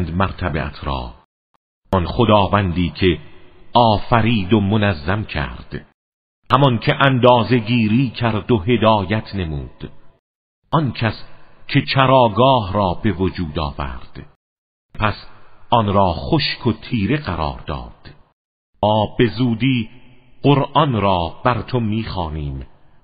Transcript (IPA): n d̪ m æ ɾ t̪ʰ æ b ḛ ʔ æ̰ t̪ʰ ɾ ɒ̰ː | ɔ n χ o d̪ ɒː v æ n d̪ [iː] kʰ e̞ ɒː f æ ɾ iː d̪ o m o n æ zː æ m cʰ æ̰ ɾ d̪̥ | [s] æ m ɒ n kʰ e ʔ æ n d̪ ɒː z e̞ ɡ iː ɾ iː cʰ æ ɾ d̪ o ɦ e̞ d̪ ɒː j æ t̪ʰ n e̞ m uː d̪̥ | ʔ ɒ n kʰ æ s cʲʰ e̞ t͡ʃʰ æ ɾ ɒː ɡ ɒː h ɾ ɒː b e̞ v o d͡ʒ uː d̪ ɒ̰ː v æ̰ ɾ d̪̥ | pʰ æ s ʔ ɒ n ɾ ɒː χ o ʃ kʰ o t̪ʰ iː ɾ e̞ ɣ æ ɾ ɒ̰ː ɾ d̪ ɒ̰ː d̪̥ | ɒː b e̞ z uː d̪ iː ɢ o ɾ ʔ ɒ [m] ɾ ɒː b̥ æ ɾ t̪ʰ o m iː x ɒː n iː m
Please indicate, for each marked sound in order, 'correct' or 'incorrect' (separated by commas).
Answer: correct, incorrect, incorrect